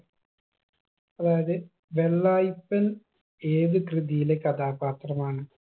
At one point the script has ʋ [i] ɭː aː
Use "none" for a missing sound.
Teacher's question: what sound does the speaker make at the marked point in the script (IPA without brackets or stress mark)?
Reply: e